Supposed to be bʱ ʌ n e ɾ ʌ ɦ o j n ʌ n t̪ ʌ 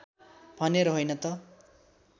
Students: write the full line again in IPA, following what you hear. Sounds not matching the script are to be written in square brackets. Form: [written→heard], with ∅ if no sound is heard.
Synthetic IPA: bʱ ʌ n e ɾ ʌ ɦ o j n ʌ [n→∅] t̪ ʌ